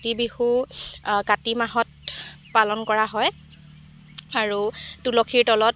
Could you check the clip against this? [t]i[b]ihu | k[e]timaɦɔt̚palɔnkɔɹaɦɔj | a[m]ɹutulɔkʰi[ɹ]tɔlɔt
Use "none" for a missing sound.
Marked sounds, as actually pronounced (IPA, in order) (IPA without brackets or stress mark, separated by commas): t, b, a, none, ɹ